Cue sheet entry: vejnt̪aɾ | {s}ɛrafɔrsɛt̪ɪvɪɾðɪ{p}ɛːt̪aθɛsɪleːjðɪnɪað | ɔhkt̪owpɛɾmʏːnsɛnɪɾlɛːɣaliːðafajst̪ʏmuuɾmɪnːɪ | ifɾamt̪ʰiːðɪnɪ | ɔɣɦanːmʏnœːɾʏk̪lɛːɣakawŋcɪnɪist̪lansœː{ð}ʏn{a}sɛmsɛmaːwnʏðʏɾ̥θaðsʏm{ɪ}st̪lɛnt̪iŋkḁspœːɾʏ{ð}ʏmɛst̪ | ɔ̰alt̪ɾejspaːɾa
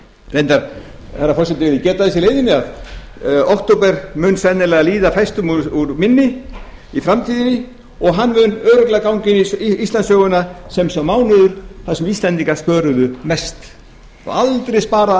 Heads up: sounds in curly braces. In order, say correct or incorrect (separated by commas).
incorrect, incorrect, incorrect, correct, incorrect, correct